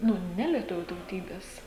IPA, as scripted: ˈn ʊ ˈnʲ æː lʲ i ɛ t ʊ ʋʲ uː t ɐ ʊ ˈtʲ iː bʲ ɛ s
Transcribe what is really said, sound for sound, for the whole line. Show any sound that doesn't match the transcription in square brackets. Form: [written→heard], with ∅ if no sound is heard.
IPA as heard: ˈn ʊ ˈnʲ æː lʲ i ɛ t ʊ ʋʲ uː t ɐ ʊ ˈtʲ iː bʲ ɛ s